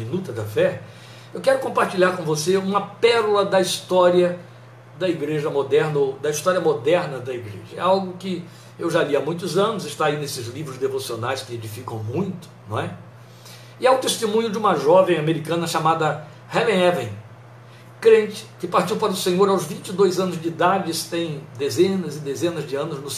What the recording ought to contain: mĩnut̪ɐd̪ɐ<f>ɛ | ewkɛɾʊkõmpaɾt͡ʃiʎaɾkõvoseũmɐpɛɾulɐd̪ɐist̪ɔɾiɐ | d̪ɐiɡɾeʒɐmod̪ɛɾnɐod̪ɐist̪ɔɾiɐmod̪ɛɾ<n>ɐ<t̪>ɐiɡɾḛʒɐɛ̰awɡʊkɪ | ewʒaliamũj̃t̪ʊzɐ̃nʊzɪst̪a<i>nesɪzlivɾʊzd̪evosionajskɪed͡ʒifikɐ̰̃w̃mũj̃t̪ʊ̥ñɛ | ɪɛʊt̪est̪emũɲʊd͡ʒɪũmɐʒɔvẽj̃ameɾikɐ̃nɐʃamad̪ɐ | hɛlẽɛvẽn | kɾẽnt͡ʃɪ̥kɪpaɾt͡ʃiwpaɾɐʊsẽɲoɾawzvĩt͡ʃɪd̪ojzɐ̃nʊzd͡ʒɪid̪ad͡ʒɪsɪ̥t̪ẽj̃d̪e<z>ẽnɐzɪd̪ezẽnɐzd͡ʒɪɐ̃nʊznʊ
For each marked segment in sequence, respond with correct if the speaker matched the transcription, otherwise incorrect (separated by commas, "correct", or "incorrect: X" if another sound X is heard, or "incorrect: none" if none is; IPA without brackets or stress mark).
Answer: correct, correct, incorrect: d̪, correct, correct